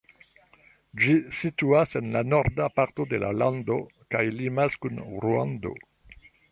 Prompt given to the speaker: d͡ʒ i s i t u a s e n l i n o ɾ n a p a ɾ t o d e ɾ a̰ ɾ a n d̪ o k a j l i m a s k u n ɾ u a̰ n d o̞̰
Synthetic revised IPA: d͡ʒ i s i t u a s e n l a n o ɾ d a p a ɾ t o d e l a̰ l a n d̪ o k a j l i m a s k u n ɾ u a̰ n d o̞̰